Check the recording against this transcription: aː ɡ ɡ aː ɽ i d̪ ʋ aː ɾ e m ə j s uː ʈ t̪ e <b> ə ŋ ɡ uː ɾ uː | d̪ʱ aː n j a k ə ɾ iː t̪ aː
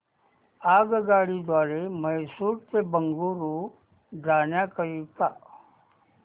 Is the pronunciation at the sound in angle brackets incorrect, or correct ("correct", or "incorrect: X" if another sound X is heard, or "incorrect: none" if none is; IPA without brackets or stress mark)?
correct